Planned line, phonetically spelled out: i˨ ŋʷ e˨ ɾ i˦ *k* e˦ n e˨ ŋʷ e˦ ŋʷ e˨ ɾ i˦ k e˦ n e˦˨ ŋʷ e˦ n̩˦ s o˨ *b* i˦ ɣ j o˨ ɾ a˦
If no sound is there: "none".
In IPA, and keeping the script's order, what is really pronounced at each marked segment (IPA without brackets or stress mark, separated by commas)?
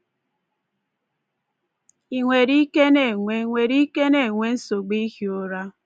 k, ɡ͡b